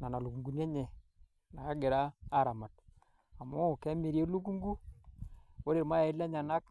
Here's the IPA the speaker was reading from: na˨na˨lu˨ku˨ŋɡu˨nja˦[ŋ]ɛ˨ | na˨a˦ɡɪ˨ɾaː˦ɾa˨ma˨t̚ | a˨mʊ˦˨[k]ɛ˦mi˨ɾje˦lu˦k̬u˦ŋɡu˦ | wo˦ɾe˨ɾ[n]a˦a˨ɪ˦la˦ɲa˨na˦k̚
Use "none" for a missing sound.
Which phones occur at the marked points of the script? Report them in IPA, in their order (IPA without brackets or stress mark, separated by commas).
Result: ɲ, k, m